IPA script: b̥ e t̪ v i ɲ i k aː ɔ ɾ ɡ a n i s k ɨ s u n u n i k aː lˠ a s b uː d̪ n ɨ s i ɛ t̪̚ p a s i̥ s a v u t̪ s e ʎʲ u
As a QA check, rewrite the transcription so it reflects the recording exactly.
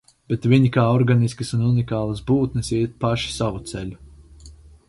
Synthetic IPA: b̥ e t̪ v i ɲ i k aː ɔ ɾ ɡ a n i s k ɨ s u n u n i k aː lˠ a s b uː t̪ n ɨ s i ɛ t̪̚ p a ʃ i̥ s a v u t̪ s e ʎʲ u